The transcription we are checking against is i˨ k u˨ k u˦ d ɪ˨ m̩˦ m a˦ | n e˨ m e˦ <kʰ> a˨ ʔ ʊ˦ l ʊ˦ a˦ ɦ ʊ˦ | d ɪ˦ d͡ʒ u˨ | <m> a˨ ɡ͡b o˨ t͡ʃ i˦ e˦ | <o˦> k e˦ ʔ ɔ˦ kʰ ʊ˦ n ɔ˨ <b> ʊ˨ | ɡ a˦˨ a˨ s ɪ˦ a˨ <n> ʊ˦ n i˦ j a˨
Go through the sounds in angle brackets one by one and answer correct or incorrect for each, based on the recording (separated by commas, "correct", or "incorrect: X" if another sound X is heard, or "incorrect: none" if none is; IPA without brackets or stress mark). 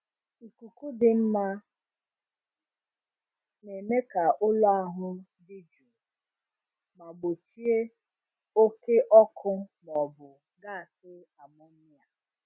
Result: incorrect: k, correct, correct, correct, incorrect: m